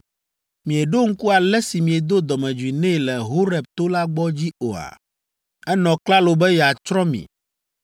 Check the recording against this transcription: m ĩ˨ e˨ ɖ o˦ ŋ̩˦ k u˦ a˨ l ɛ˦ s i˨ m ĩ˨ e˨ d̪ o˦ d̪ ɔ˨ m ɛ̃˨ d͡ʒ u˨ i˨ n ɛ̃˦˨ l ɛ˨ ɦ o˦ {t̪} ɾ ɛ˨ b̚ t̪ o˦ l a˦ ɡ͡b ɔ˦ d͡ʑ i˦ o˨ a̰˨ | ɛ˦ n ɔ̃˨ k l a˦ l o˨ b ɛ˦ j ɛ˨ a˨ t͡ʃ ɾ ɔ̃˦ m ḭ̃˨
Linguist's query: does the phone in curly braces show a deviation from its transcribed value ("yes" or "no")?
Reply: yes